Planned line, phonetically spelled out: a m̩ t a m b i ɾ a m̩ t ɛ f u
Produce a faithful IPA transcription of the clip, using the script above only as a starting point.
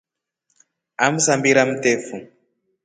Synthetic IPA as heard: a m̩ s a m b i ɾ a m̩ t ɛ f u